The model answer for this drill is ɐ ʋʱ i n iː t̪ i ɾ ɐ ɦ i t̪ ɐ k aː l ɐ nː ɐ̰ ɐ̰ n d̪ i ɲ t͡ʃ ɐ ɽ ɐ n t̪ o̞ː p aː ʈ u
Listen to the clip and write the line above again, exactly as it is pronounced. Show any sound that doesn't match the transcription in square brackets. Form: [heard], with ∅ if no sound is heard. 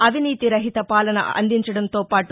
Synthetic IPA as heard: ɐ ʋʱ i n iː t̪ i ɾ ɐ ɦ i t̪ ɐ [p] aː l ɐ [n] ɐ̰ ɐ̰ n d̪ i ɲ t͡ʃ ɐ ɽ ɐ n t̪ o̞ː p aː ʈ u